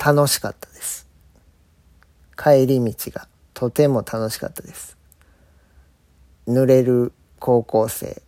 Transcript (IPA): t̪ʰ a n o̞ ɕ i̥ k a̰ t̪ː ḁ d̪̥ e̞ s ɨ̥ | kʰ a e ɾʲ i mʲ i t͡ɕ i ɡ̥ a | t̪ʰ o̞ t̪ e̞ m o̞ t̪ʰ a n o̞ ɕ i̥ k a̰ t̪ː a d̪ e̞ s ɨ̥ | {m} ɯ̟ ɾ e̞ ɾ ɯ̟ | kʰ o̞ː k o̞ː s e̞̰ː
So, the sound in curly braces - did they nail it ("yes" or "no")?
no